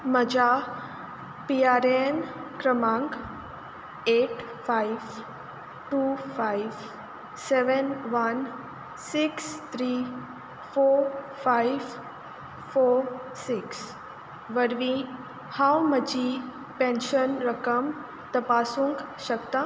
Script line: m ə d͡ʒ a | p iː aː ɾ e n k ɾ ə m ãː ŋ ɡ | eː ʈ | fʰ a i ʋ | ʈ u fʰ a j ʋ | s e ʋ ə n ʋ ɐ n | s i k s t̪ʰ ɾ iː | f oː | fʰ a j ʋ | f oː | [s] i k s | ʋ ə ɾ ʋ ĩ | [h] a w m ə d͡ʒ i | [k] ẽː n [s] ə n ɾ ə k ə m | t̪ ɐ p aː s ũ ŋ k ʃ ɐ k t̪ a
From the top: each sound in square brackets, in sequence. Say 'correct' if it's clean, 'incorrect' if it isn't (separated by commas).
correct, correct, incorrect, incorrect